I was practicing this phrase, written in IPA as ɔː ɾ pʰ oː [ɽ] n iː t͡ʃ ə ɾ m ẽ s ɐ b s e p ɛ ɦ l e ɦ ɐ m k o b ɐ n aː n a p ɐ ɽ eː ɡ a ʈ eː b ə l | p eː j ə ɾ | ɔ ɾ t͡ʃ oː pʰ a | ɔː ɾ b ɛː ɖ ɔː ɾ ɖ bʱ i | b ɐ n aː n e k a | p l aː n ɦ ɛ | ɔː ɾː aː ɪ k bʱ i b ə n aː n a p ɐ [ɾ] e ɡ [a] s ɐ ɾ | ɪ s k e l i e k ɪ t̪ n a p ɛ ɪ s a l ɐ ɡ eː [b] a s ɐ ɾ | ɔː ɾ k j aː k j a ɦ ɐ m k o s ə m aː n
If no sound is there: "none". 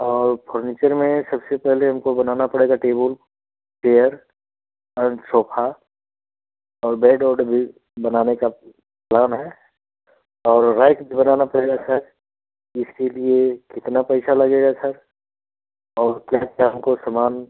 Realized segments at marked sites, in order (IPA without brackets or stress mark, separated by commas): ɾ, ɽ, a, ɡ